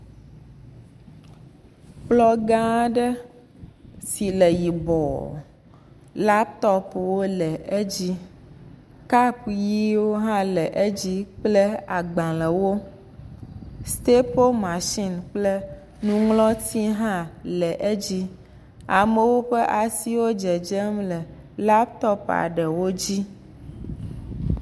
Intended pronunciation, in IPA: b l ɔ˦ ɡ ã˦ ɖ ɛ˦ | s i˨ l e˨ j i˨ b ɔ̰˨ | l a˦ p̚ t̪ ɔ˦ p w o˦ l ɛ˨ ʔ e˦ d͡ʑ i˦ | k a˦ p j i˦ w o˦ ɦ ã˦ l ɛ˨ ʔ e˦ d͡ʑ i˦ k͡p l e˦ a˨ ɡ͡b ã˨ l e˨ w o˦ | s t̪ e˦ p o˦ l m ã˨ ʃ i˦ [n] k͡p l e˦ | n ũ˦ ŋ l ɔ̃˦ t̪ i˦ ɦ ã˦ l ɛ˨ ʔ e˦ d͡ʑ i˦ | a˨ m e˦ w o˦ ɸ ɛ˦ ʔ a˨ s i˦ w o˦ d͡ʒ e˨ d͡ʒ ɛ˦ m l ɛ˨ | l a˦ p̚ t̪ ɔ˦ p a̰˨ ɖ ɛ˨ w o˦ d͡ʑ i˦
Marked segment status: correct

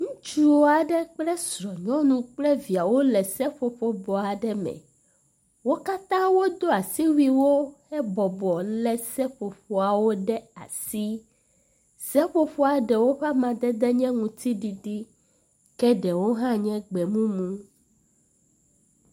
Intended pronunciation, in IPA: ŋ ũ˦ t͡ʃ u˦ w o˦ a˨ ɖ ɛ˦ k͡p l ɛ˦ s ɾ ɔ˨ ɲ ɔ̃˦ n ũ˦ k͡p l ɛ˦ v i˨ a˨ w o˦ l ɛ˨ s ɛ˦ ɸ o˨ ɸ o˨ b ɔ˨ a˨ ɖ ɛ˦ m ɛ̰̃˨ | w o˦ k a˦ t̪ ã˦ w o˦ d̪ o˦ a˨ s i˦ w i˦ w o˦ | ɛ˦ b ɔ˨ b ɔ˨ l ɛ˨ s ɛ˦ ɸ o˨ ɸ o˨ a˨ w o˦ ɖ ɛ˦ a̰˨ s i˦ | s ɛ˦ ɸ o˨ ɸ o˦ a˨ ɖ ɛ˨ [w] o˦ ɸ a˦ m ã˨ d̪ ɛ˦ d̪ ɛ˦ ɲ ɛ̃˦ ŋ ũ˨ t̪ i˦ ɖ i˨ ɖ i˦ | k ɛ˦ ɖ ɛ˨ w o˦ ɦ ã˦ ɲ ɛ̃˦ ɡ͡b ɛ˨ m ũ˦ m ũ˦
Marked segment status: correct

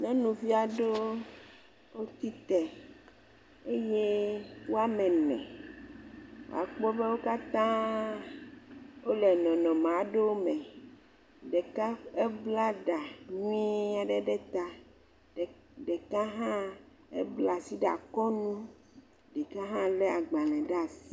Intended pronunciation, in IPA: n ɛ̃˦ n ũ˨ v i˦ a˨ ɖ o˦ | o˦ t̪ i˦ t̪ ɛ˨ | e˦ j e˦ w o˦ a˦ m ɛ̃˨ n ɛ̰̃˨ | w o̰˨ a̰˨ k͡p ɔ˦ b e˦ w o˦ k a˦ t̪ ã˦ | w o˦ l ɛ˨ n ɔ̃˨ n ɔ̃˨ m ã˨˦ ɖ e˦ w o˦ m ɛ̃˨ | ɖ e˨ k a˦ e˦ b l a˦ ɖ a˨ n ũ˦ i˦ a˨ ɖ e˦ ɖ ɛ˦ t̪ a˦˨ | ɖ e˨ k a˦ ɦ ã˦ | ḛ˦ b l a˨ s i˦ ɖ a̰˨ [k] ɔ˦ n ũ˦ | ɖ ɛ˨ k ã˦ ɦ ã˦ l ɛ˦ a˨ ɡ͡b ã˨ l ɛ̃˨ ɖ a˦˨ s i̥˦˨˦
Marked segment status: correct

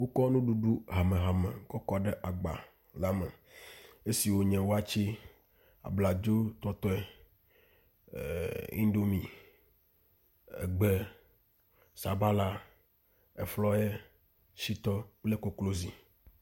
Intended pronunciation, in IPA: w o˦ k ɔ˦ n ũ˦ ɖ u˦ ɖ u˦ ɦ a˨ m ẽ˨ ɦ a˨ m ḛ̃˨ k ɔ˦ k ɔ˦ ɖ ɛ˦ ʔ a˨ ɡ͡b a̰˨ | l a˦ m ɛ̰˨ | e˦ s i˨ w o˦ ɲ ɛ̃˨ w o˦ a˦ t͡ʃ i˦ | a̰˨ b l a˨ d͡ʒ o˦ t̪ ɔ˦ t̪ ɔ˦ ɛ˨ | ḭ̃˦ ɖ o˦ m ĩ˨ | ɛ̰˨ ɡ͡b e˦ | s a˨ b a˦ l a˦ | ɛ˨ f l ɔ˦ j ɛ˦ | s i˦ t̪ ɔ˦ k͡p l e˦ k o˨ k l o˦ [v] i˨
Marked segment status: incorrect: z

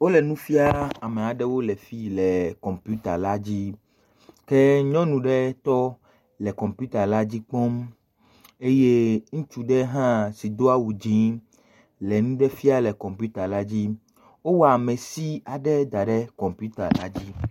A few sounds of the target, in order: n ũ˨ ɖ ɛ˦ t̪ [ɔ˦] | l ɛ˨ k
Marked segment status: correct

